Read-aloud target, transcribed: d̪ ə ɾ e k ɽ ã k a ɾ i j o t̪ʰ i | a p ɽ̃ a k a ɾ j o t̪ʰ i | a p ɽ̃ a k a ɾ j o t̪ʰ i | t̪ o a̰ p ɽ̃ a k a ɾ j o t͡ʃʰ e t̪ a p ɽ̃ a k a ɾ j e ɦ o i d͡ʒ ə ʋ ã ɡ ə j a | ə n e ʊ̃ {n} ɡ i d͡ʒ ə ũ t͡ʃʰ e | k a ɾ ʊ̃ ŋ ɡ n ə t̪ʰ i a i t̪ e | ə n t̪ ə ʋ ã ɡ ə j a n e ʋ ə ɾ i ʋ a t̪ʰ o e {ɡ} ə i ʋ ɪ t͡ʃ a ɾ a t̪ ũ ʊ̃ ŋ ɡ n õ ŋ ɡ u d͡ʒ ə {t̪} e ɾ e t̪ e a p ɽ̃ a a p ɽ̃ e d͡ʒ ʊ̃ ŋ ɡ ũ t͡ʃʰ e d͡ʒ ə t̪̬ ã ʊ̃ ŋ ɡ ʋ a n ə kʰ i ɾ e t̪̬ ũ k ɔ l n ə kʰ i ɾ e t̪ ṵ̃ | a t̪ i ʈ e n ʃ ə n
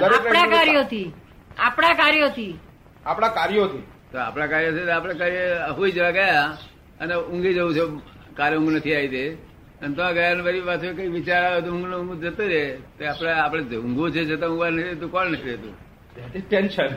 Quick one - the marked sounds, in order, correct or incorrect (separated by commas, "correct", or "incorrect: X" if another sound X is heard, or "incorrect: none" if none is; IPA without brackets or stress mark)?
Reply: incorrect: ŋ, incorrect: k, correct